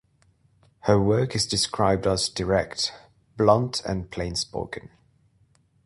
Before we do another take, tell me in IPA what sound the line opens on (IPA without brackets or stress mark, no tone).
h